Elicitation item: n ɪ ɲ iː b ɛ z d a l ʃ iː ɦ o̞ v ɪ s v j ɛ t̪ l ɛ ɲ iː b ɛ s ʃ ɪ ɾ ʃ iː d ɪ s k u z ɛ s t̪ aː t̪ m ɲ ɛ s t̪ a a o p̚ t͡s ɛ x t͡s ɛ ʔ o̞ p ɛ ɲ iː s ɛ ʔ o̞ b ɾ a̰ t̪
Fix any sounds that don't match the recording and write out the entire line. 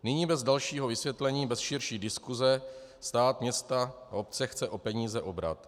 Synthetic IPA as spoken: n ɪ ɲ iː b ɛ z d a l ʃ iː ɦ o̞ v ɪ s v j ɛ t̪ l ɛ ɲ iː b ɛ s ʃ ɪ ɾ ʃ iː d ɪ s k u z ɛ s t̪ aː t̪ m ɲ ɛ s t̪ a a o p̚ t͡s ɛ x t͡s ɛ ʔ o̞ p ɛ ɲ iː z ɛ ʔ o̞ b ɾ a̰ t̪